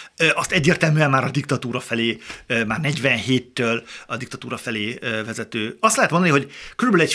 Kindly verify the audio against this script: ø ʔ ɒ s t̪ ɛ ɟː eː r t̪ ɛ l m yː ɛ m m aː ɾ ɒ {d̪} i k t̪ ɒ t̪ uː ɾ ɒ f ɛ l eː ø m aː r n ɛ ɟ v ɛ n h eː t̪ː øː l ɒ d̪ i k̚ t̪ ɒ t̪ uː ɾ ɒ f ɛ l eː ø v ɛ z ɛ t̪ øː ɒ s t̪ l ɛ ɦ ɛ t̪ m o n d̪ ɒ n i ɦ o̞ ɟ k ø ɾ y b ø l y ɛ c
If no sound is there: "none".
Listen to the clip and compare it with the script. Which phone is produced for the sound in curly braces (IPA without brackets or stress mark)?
d̪